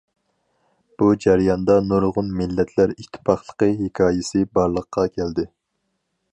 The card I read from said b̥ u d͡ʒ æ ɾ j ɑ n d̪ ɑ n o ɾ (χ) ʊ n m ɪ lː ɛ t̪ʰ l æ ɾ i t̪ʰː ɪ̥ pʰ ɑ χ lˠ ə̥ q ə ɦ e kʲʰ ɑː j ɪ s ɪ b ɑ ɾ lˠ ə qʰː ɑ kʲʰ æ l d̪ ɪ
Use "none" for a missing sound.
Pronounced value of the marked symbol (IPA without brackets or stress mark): ʁ